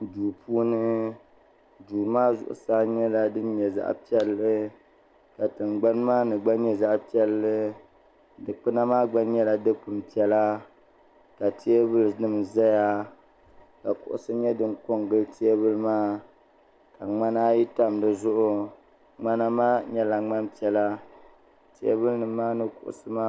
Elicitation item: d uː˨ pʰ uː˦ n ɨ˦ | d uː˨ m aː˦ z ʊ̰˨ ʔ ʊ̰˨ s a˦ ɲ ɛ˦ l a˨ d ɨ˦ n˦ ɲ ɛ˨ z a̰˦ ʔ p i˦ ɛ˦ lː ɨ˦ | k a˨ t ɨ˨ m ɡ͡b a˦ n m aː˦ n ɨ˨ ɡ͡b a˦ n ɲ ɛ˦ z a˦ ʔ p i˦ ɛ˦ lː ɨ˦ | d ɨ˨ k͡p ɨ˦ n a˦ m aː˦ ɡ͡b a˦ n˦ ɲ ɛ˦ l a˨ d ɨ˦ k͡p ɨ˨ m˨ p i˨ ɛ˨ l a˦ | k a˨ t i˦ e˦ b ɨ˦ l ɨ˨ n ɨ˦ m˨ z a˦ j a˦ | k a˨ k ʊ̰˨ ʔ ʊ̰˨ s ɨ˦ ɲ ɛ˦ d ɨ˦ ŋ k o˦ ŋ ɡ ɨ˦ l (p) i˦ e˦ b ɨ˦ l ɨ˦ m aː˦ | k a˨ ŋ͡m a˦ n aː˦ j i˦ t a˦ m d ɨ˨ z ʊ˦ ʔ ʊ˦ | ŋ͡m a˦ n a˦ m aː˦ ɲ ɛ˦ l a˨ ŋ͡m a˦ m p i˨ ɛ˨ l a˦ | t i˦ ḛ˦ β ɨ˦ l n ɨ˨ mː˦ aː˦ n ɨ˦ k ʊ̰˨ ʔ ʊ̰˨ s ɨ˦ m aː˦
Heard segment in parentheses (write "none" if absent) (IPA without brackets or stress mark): t